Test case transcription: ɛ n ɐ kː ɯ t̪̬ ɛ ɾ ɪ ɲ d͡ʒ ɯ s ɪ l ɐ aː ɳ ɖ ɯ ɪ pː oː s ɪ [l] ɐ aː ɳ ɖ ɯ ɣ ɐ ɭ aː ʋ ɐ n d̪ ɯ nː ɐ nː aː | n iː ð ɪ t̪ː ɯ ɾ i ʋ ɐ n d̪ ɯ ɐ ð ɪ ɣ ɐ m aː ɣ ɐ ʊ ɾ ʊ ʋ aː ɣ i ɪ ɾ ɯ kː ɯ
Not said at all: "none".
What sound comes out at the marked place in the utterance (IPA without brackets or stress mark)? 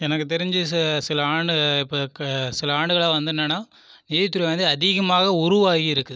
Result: l